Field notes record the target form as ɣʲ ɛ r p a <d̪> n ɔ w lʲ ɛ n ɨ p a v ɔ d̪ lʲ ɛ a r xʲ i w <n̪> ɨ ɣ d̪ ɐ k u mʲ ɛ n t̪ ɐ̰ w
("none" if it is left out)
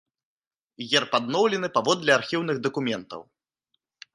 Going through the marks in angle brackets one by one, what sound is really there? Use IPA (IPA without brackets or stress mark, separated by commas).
d̪, n̪